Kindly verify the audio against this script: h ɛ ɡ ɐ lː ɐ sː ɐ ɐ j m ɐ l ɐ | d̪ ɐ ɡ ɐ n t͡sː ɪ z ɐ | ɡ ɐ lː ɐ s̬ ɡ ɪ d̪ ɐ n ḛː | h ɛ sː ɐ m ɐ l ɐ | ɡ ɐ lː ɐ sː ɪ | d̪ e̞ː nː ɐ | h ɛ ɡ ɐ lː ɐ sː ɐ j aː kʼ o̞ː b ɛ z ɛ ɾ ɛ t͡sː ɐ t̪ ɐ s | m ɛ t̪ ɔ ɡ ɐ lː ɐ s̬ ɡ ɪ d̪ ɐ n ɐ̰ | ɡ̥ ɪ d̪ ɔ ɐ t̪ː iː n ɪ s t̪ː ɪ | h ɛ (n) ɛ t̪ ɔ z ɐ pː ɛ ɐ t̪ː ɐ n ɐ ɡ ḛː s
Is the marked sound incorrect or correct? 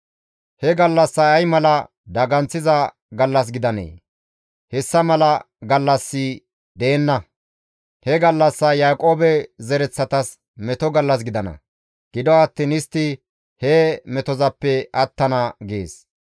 incorrect